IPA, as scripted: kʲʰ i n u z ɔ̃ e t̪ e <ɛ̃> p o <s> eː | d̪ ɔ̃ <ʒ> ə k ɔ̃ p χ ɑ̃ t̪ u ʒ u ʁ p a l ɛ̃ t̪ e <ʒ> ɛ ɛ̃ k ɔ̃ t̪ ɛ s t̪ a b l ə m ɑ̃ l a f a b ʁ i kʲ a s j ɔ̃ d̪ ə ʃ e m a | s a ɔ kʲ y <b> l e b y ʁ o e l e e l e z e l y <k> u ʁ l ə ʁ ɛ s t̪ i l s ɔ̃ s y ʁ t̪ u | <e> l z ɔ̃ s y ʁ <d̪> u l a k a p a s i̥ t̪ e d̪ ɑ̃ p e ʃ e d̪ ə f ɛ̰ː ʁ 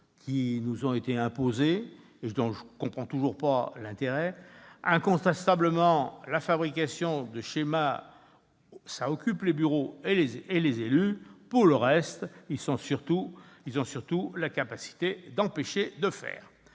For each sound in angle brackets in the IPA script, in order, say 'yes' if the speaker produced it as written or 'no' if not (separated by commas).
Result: yes, no, yes, no, no, no, no, no